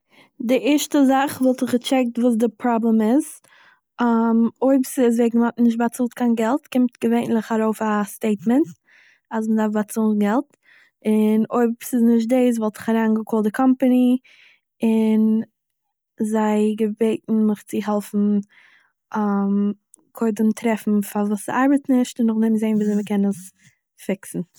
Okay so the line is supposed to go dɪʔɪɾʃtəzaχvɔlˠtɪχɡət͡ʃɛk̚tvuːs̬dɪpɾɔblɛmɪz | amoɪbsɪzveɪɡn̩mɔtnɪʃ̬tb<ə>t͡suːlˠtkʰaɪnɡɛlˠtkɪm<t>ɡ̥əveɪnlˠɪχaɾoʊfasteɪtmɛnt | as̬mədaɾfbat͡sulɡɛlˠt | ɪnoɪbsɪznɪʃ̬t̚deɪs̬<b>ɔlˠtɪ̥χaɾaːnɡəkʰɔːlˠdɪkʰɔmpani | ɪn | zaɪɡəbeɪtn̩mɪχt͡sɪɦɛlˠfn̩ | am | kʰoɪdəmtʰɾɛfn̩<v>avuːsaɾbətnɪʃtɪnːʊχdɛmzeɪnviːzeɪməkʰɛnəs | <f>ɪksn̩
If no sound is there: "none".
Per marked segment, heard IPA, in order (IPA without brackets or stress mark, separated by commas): a, t, v, f, f